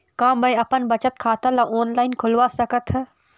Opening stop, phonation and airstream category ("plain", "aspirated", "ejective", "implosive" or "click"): plain